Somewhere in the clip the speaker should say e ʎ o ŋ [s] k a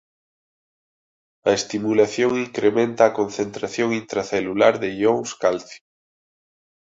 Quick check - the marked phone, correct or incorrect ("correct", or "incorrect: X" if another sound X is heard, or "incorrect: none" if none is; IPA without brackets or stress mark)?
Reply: correct